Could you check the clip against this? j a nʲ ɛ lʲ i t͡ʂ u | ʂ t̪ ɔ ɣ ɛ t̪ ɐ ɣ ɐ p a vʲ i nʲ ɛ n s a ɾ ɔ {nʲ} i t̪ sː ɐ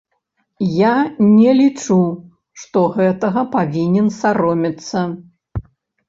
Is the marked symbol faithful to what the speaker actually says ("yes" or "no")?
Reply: no